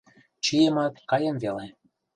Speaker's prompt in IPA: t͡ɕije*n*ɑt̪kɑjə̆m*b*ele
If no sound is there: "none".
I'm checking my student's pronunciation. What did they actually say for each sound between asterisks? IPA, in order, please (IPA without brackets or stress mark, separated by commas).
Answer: m, v